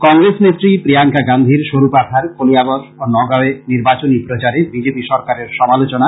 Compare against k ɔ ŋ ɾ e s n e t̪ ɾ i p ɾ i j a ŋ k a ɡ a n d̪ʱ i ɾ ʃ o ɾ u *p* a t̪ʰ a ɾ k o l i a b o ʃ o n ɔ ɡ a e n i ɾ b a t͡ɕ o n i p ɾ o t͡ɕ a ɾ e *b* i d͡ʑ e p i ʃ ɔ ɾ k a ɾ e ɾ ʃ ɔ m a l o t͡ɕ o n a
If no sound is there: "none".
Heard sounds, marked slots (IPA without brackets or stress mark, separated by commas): p, b